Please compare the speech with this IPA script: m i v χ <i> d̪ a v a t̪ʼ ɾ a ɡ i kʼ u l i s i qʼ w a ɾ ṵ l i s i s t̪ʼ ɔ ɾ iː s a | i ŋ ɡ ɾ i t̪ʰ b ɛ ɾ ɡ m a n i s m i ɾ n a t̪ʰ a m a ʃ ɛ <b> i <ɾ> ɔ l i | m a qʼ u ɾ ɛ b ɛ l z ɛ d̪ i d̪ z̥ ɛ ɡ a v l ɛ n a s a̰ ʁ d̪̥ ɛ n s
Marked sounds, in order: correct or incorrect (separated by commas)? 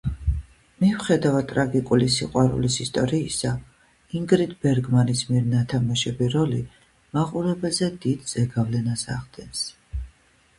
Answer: incorrect, correct, correct